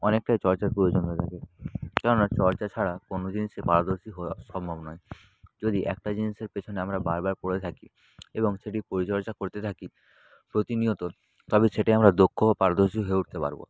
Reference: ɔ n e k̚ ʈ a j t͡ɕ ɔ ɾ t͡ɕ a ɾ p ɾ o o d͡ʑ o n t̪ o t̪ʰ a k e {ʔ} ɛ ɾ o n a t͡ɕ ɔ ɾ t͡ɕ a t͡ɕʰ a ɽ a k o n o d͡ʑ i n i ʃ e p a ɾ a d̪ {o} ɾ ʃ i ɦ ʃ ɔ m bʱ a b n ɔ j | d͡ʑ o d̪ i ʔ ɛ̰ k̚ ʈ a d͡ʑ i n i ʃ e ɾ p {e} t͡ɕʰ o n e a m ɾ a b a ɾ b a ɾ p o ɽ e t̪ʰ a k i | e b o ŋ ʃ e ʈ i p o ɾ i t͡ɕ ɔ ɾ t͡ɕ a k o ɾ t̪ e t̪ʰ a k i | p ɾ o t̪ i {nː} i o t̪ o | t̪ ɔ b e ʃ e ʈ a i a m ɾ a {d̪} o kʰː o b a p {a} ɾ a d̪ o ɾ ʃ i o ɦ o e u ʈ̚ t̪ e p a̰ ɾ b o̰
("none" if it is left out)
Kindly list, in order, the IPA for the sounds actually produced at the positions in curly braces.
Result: k, o, e, n, d̪, a

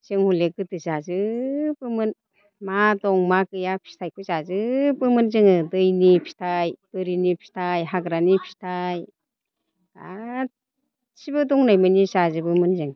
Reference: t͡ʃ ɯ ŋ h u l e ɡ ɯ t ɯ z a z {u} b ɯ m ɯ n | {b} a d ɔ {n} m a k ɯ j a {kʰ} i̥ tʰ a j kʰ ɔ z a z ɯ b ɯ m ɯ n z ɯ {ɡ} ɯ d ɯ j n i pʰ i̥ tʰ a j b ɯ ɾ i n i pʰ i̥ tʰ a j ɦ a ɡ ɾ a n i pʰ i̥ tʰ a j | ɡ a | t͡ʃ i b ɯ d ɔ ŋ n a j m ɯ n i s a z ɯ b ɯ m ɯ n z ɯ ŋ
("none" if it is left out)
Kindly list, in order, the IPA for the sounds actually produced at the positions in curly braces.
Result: ɯ, m, ŋ, pʰ, ŋ

